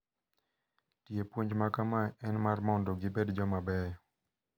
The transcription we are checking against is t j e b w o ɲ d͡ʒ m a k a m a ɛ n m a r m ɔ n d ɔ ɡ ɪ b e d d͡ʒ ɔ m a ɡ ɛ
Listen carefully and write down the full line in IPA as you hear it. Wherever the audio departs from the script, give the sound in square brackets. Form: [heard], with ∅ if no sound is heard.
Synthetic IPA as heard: t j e [p] w o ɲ d͡ʒ m a k a m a ɛ n m a r m ɔ n d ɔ ɡ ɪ b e d d͡ʒ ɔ m a [b] ɛ